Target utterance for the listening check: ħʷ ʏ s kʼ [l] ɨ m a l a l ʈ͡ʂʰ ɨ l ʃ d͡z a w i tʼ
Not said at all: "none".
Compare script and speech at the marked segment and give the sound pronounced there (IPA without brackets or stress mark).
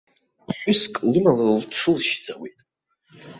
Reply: l